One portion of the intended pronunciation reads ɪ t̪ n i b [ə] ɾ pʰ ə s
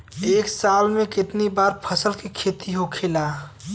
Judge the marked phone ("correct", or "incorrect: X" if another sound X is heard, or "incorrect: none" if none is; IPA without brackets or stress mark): incorrect: a